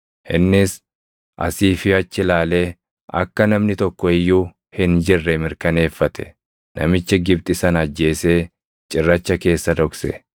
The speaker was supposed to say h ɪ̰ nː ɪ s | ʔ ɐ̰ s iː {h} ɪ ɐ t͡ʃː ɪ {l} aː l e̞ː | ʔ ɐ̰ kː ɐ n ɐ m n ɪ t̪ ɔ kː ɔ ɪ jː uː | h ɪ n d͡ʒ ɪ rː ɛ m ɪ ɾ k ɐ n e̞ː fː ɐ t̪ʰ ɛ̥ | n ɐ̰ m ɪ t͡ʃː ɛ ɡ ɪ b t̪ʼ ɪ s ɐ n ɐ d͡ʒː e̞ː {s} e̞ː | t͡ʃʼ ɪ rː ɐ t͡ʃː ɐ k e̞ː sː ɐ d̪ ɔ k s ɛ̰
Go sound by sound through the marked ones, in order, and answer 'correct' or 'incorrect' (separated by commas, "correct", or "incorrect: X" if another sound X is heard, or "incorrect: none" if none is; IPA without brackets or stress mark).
incorrect: f, correct, correct